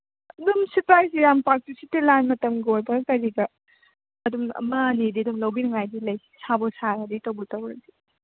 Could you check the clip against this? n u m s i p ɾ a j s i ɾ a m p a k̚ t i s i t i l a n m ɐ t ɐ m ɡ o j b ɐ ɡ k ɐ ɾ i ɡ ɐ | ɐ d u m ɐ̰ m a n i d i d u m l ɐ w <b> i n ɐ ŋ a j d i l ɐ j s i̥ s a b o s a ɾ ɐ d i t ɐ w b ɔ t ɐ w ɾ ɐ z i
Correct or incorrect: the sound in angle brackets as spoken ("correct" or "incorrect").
correct